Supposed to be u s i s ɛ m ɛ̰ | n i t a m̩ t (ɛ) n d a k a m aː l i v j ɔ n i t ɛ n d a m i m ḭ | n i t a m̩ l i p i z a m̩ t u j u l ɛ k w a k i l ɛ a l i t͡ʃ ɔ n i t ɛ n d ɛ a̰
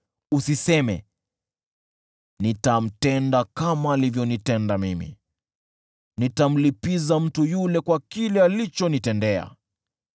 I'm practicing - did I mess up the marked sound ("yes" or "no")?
no